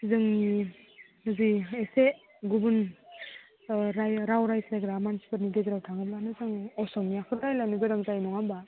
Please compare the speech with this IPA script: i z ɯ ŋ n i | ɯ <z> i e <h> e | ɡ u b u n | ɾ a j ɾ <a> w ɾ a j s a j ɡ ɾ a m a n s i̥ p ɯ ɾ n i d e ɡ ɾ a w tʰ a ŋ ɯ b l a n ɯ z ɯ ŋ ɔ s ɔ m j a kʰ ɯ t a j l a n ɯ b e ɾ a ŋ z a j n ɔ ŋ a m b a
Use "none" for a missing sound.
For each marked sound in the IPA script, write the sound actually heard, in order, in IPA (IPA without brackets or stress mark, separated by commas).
z, s, a